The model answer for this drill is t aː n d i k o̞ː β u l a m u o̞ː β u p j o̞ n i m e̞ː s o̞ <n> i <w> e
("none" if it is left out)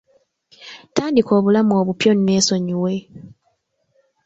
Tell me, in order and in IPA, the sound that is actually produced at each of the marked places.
ɲ, w

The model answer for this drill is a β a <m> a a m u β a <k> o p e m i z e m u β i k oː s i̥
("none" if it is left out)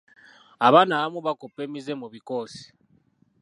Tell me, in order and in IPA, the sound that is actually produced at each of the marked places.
n, k

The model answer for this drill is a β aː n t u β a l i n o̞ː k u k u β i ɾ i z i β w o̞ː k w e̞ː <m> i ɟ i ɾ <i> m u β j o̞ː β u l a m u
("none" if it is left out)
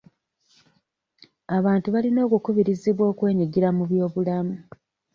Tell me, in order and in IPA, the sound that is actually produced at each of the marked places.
ɲ, a

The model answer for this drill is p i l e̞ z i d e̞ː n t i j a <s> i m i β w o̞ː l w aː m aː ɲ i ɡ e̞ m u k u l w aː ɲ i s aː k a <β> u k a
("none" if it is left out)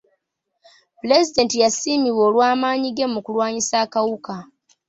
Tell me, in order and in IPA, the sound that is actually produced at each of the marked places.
s, w

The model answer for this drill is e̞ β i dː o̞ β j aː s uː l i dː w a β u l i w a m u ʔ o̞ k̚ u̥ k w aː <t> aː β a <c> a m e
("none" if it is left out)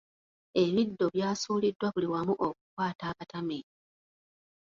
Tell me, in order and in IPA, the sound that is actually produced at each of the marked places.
t, t

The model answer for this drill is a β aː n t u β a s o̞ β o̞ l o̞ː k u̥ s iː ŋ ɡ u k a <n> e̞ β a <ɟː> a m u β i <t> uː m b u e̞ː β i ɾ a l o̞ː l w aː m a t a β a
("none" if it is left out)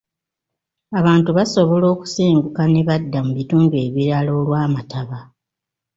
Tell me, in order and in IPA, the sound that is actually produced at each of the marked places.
n, dː, t

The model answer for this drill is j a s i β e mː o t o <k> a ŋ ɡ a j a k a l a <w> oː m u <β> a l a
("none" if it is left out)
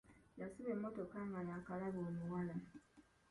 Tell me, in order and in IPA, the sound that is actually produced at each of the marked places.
k, β, w

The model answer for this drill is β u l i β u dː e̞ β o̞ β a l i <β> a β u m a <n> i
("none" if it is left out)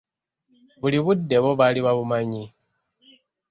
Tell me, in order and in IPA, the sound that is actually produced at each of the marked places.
β, ɲ

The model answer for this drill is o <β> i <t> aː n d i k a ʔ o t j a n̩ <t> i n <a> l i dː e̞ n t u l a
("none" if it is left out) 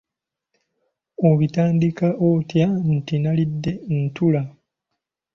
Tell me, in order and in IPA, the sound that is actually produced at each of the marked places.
β, t, t, a

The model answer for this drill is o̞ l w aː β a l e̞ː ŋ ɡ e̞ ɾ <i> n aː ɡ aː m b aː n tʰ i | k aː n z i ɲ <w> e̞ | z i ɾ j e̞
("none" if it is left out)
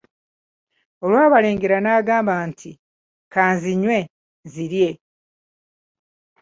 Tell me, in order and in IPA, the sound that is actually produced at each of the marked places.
a, w

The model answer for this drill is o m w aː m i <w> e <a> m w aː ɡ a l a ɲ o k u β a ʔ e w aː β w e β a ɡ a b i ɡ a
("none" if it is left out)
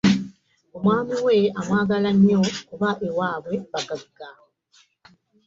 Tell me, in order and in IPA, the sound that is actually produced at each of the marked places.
w, a

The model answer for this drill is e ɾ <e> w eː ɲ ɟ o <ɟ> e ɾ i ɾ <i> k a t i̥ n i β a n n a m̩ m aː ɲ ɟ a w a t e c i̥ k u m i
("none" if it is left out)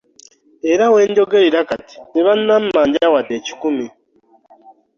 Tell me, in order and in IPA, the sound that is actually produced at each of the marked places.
a, ɡ, a

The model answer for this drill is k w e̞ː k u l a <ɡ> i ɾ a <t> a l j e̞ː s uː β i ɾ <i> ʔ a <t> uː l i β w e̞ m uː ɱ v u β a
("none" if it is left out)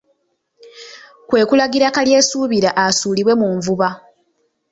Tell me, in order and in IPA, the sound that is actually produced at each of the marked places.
ɡ, k, a, s

